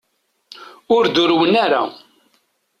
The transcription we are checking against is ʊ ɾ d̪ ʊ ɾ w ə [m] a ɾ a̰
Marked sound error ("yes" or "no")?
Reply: yes